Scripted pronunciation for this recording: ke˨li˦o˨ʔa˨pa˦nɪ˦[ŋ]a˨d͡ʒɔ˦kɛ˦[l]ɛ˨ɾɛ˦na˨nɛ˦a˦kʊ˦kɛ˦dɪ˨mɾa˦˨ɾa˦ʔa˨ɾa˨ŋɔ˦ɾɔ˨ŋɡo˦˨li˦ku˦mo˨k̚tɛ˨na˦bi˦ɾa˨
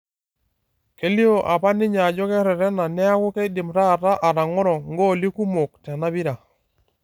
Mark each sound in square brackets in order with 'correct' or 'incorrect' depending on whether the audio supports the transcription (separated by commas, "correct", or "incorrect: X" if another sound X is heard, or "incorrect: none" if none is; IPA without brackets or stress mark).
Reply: incorrect: ɲ, incorrect: ɾ